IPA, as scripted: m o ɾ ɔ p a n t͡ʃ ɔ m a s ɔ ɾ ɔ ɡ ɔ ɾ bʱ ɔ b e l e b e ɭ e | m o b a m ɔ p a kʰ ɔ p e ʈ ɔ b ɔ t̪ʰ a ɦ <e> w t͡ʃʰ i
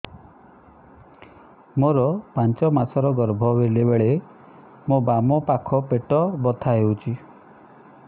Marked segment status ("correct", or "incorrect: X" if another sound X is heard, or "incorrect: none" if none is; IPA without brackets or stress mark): correct